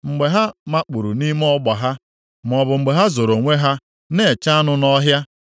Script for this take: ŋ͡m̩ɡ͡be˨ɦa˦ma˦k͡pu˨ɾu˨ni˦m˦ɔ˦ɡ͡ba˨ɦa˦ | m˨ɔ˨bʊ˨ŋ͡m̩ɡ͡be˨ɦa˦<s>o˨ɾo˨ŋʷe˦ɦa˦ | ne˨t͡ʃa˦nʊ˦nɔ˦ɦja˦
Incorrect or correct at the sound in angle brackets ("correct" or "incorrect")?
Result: incorrect